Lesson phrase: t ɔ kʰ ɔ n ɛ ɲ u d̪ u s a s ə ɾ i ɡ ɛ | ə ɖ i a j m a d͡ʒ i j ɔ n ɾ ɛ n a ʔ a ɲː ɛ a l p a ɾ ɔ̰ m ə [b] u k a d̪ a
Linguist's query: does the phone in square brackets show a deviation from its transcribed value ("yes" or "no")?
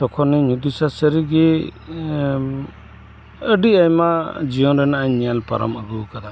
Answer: yes